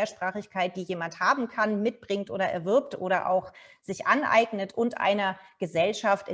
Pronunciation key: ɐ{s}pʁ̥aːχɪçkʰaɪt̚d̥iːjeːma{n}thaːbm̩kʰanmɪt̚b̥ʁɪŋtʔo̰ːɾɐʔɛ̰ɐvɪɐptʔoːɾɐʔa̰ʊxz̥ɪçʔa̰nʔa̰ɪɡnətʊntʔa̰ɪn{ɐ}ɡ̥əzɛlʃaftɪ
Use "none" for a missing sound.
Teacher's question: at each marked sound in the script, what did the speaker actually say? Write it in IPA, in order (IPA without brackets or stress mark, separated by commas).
ʃ, n, ɐ